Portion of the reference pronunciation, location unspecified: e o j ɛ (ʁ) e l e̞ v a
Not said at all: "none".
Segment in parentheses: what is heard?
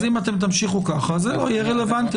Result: ʁ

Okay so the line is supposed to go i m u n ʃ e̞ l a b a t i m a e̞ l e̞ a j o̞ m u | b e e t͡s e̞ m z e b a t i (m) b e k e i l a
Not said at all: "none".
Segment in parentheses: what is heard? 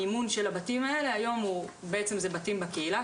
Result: m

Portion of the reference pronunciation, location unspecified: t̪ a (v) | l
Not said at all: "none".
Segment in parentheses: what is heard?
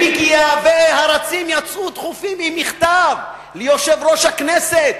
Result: v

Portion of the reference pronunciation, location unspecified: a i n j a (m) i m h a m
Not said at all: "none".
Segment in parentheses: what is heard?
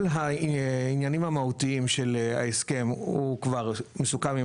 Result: n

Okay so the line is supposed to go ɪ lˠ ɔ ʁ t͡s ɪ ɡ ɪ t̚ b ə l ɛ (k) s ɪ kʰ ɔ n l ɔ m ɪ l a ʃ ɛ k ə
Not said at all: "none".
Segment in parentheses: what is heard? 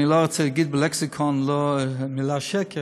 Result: k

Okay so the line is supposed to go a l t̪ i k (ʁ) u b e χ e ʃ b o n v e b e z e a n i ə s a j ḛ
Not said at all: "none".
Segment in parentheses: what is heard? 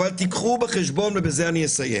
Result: χ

